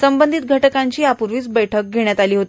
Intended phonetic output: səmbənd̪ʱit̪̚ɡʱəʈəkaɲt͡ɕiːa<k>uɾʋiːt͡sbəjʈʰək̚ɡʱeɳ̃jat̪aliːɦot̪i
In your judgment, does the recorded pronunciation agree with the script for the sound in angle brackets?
no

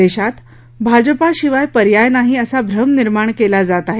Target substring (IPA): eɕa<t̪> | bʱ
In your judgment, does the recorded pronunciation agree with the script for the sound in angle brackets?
yes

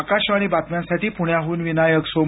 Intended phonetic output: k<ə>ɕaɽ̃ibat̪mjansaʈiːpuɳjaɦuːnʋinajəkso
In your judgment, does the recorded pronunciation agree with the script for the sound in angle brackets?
no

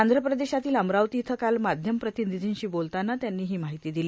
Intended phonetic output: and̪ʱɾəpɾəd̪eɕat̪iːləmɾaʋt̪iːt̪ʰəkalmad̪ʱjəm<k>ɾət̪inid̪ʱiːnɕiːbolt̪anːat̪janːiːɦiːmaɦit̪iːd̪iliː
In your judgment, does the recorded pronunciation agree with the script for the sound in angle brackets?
no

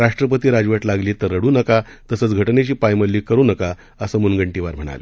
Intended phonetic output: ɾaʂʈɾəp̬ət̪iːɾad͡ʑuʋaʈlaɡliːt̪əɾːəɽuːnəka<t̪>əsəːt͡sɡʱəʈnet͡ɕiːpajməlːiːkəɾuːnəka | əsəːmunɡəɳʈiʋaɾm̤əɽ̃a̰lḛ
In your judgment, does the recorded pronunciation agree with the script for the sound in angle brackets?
yes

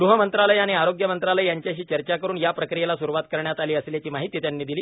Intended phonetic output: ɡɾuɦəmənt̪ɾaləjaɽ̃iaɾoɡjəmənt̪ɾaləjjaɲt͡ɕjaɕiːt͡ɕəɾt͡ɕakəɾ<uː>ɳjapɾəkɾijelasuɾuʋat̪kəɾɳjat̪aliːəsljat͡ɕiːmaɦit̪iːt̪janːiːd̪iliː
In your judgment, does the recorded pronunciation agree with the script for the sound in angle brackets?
yes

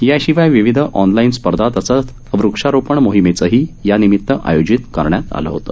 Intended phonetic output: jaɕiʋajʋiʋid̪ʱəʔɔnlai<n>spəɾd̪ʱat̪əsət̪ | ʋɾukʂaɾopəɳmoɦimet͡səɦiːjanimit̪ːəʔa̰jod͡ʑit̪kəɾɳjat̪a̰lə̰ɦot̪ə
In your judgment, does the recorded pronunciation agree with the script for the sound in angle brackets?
yes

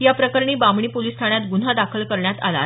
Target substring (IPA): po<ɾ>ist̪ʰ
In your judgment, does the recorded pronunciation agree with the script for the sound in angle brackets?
no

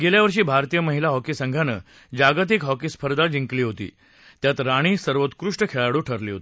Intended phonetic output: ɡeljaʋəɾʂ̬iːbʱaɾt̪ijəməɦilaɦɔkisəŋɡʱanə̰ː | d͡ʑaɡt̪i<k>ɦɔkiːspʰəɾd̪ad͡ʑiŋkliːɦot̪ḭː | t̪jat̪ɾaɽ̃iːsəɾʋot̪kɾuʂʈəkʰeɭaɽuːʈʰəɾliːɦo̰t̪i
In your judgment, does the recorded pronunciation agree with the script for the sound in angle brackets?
yes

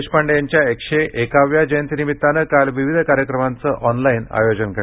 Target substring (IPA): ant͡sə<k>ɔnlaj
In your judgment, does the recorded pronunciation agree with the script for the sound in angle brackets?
no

